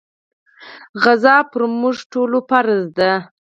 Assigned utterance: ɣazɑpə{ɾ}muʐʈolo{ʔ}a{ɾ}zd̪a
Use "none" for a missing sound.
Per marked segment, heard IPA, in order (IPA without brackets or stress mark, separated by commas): ɾ, p, ɾ